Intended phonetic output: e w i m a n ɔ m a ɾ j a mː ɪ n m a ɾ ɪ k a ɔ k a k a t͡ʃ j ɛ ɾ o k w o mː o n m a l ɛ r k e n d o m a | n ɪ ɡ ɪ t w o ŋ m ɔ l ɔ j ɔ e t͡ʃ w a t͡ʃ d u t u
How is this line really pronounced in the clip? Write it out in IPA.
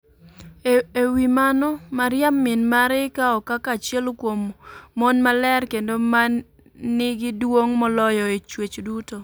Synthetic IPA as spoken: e w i m a n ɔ m a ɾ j a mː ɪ n m a ɾ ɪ k a ɔ k a k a t͡ʃ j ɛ l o k w o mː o n m a l ɛ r k e n d o m a | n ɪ ɡ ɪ d w o ŋ m ɔ l ɔ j ɔ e t͡ʃ w e t͡ʃ d u t o